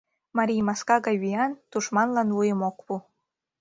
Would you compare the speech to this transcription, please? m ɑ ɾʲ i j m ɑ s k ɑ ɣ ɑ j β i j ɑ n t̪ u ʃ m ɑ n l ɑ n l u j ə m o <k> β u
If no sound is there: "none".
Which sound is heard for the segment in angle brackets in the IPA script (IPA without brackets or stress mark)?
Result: k